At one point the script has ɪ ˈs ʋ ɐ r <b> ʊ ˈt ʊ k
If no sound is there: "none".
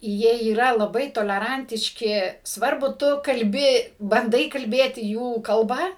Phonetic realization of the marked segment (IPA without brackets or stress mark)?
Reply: b